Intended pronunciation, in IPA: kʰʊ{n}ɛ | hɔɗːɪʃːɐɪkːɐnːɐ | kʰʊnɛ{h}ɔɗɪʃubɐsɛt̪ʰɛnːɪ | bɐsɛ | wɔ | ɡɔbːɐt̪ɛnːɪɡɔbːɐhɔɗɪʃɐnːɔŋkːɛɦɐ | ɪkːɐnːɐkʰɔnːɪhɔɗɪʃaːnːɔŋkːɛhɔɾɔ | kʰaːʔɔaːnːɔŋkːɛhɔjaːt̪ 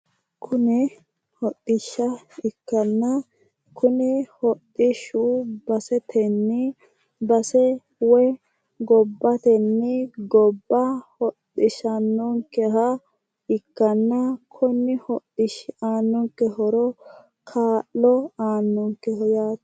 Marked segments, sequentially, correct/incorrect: correct, correct

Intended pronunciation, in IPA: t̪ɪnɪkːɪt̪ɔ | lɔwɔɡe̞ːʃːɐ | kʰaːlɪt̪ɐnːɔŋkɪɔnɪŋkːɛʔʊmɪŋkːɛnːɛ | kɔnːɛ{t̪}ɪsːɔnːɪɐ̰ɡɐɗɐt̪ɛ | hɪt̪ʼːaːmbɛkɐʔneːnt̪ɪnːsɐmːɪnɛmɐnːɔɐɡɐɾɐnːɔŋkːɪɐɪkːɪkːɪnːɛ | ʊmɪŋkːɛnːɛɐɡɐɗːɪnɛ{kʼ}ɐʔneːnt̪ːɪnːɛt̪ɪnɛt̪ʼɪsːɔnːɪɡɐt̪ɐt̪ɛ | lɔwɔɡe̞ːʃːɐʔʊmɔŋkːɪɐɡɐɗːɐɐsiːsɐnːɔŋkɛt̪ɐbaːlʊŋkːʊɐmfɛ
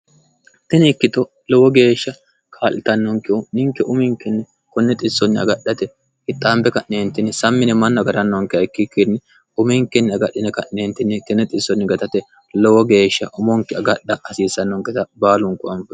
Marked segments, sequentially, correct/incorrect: incorrect: t̪ʼ, incorrect: k

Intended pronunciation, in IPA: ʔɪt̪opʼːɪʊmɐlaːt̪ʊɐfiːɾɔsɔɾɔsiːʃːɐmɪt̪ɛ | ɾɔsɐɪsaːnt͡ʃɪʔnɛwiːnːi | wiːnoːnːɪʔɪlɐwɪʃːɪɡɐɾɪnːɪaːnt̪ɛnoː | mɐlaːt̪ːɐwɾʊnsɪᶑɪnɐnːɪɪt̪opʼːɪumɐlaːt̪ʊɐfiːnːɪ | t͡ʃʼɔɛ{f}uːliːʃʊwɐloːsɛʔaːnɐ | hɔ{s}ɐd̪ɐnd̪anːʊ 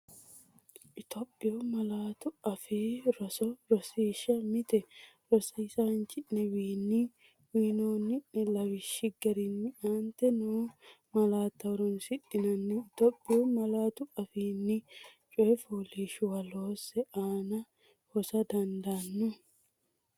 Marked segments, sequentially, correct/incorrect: correct, correct

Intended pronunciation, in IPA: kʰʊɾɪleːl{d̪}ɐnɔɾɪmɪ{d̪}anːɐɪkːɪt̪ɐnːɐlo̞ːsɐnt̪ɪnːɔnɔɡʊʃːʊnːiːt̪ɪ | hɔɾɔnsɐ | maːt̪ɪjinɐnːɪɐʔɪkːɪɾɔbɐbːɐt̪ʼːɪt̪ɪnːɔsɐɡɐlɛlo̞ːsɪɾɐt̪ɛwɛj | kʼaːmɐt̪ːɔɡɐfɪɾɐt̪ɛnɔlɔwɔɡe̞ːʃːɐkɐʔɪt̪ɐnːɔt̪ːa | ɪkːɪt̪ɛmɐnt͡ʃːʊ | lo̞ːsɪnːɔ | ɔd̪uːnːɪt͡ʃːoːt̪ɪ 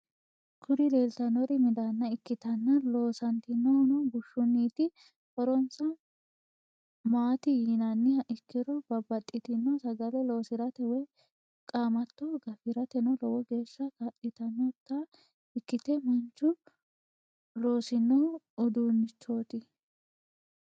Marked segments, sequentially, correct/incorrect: incorrect: t̪, correct

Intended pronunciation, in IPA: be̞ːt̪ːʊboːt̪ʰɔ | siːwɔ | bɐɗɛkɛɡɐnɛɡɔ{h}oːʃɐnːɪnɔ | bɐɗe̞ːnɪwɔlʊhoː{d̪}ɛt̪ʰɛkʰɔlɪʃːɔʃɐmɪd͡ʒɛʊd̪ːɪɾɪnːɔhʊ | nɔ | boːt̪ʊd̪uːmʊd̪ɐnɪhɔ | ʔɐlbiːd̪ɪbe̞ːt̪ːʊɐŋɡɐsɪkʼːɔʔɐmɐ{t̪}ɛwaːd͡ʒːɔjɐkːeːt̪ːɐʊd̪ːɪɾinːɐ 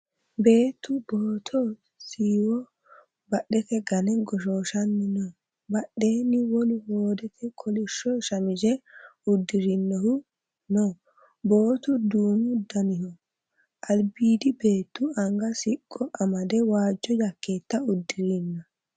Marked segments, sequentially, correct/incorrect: incorrect: ʃ, correct, incorrect: d̪

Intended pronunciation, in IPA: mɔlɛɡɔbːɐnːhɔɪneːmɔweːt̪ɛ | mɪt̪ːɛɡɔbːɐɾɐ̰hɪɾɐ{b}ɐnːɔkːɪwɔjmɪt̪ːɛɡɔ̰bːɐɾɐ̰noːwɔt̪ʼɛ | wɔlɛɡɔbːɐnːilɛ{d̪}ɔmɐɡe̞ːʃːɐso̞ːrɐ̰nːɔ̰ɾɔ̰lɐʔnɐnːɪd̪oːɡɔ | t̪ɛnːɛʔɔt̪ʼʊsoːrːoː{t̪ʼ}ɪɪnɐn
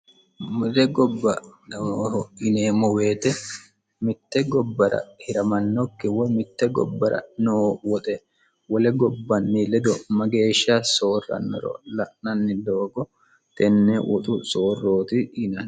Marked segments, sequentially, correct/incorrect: incorrect: m, correct, incorrect: t̪

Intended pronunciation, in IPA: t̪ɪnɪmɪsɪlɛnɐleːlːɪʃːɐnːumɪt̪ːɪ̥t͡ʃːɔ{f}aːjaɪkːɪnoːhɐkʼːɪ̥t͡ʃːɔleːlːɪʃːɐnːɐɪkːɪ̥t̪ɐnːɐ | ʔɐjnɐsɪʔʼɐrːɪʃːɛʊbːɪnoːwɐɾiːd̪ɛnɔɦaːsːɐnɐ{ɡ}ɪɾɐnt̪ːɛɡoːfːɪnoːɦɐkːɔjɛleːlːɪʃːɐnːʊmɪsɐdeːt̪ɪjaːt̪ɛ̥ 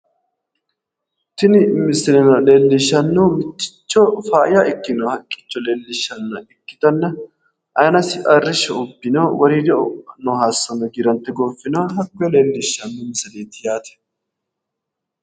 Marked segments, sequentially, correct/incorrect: correct, correct

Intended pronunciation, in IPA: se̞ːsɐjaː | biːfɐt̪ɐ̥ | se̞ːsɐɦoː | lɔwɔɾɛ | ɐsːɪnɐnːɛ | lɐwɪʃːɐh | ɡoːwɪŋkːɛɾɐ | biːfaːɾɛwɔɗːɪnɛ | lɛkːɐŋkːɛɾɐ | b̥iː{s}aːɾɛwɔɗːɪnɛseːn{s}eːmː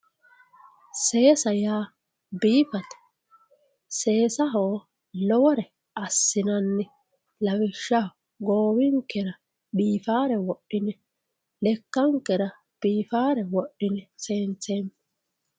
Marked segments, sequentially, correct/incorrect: incorrect: f, incorrect: t͡s

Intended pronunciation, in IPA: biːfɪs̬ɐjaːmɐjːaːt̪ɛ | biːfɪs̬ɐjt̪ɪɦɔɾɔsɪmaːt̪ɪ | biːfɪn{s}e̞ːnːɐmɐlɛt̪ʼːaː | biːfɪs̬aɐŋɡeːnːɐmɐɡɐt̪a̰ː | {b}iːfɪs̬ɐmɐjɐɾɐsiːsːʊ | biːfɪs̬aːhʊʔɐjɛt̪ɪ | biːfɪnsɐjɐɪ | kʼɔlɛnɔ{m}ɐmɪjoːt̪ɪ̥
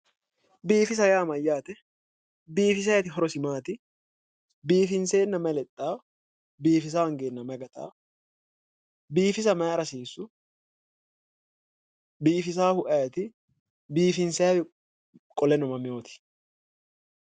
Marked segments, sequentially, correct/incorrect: correct, correct, correct

